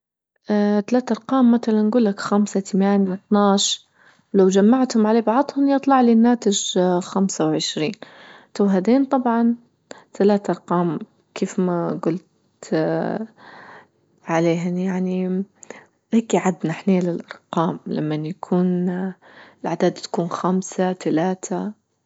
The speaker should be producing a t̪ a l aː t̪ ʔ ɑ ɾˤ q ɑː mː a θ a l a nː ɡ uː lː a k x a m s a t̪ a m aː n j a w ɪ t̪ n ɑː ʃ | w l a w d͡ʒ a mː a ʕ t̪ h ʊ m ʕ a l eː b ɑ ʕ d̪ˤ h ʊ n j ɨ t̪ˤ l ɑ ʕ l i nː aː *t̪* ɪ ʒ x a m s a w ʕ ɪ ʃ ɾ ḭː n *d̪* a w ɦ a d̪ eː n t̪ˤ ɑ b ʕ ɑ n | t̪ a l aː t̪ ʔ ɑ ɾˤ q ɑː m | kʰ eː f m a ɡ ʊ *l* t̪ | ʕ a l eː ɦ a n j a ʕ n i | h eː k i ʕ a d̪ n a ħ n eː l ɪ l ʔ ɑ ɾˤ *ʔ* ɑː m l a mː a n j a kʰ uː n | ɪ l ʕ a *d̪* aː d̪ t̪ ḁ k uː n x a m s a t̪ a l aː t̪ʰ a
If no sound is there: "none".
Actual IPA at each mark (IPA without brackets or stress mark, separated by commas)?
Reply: t̪, t̪, l, q, d̪